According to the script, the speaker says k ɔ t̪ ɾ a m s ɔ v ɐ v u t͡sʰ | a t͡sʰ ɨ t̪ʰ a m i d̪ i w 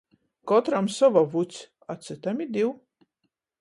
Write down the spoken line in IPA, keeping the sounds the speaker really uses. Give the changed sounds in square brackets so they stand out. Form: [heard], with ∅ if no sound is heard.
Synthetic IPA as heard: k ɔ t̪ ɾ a m s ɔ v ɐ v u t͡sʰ | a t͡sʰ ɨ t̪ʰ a m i d̪ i w